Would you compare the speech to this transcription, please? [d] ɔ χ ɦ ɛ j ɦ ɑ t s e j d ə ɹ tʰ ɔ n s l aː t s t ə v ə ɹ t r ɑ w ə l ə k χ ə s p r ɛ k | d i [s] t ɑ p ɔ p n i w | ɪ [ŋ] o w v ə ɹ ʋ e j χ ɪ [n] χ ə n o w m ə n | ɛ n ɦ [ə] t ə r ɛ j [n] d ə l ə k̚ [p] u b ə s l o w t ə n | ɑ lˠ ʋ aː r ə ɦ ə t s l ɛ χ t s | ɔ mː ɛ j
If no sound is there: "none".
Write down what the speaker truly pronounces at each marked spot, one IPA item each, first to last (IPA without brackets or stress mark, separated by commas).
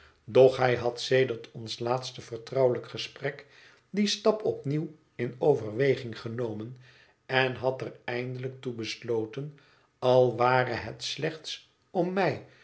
d, s, n, ŋ, ɑ, n, t